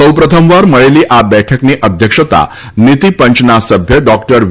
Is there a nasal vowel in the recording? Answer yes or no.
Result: no